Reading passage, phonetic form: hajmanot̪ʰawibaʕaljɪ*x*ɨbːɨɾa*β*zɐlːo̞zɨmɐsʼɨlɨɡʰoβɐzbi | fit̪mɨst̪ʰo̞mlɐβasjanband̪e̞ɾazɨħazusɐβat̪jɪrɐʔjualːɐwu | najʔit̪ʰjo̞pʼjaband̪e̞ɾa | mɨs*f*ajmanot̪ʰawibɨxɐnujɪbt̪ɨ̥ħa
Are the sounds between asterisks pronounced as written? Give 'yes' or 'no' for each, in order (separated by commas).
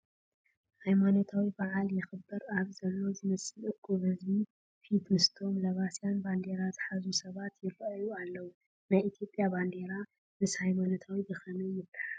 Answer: yes, yes, no